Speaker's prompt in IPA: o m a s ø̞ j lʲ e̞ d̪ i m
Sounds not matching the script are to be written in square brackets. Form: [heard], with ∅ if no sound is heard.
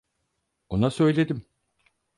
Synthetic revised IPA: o [n] a s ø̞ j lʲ e̞ d̪ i m

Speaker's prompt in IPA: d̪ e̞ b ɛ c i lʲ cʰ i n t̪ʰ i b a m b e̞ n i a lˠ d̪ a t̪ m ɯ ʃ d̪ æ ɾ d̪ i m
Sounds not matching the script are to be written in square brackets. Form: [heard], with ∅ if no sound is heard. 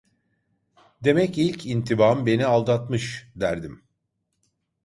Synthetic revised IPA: d̪ e̞ [m] ɛ c i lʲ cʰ i n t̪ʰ i b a m b e̞ n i a lˠ d̪ a t̪ m ɯ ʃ d̪ æ ɾ d̪ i m

